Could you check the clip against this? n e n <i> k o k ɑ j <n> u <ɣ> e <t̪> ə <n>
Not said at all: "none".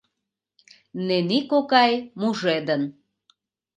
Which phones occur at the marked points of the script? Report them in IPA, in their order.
i, m, ʒ, d̪, n

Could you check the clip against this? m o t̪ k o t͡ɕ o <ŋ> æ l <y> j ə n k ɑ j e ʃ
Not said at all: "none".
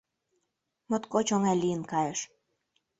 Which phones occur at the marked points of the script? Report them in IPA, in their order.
ŋ, i

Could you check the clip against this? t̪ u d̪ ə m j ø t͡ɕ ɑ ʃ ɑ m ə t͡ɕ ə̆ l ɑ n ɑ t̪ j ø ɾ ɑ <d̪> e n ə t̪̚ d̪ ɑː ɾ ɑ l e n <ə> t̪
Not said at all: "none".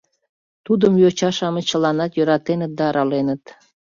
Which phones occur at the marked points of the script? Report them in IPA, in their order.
t̪, ə

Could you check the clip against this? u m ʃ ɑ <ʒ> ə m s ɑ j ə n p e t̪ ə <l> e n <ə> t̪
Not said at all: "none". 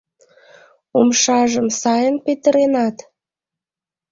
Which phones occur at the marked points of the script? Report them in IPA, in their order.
ʒ, ɾ, ɑ

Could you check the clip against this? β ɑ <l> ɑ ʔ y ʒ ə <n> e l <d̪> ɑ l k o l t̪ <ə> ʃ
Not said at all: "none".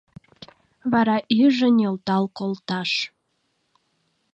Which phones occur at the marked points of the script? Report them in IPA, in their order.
ɾ, n, t̪, ɑ

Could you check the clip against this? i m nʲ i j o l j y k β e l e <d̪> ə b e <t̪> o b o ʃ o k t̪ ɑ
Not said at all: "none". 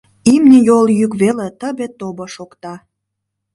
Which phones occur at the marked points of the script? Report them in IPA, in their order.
t̪, t̪

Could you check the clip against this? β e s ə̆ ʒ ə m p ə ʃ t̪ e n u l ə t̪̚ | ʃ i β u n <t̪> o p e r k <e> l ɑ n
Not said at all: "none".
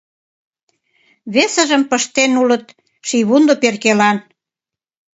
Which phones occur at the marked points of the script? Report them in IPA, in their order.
d̪, e

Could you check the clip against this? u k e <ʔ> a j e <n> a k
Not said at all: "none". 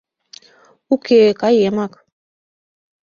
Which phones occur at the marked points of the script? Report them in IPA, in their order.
k, m

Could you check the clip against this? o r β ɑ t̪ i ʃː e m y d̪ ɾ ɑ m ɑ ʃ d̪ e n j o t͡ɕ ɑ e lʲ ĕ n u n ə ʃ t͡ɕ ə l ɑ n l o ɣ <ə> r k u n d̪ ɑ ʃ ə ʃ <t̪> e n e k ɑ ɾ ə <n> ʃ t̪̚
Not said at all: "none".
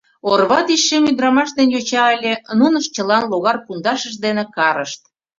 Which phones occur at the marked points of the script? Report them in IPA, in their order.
ɑ, d̪, none

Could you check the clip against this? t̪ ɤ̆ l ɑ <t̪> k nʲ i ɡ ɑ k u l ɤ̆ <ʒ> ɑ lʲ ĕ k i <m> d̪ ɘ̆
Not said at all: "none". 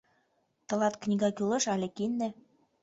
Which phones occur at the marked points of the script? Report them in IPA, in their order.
t̪, ʃ, n

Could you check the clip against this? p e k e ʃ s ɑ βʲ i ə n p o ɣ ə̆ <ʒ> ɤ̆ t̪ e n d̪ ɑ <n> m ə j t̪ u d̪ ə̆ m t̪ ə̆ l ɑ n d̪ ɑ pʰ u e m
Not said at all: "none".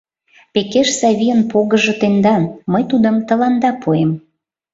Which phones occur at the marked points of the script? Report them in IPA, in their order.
ʒ, n

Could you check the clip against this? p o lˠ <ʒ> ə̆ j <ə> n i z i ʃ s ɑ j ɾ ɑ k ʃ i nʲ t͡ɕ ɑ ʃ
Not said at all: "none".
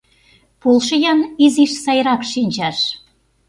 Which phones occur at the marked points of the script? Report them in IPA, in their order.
ʃ, ɑ

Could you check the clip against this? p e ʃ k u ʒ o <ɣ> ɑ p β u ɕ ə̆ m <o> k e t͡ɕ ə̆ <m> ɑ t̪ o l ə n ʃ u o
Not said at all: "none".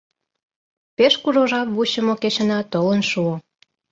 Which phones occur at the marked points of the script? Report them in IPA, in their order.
ʒ, o, n

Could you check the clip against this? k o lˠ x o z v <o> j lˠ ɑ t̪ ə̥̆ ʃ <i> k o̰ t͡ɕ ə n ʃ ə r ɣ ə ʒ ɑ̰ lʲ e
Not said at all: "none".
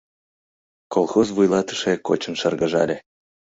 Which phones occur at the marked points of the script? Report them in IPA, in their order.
u, e

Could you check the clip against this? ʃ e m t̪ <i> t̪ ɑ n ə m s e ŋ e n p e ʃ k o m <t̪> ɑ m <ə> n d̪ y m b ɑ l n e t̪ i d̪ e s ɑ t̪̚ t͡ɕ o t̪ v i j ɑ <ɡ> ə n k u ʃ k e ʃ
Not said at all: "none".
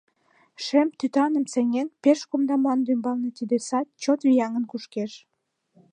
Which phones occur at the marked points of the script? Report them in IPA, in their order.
y, d̪, ɑ, ŋ

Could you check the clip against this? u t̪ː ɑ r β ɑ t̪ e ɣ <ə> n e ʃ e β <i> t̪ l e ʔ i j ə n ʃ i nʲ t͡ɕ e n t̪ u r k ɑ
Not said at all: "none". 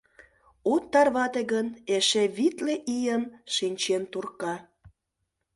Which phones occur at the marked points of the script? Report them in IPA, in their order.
ə, i

